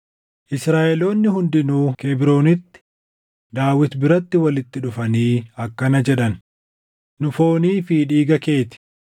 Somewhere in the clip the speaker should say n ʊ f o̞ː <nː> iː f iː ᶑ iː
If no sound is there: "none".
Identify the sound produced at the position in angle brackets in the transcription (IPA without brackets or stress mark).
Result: n